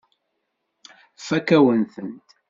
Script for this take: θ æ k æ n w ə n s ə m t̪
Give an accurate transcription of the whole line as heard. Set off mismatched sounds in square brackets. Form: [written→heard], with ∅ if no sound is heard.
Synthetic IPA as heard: [θ→f] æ k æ [n→∅] w ə n [s→θ] ə [m→n] t̪